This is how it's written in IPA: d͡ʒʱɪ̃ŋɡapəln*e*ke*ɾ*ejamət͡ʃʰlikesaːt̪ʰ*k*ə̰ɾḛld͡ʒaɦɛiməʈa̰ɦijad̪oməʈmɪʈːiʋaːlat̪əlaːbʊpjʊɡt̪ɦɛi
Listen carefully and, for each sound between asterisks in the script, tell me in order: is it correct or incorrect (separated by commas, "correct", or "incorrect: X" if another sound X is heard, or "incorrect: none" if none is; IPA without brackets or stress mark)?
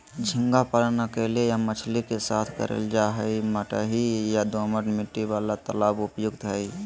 incorrect: a, incorrect: l, correct